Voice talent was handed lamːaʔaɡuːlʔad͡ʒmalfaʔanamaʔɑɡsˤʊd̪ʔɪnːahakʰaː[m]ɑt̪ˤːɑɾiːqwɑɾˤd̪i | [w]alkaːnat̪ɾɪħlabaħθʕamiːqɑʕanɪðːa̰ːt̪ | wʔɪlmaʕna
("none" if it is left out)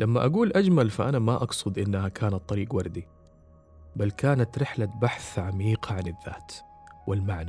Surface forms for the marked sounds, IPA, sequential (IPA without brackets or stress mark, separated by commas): n, b